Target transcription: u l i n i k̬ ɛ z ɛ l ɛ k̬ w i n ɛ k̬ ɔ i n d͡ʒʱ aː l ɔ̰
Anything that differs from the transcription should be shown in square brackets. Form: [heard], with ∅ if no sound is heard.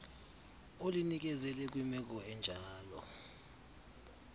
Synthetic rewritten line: [o] l i n i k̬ ɛ z ɛ l ɛ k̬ w i [m] ɛ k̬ ɔ [ɛ] n d͡ʒʱ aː l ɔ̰